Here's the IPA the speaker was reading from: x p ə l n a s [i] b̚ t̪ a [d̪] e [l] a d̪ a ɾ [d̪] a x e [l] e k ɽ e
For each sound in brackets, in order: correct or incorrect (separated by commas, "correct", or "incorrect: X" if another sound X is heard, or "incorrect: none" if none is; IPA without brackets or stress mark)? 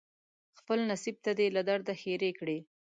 correct, correct, correct, correct, incorrect: ɾ